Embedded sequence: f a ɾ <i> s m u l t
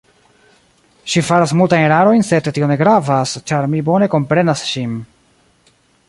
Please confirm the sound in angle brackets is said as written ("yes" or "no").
no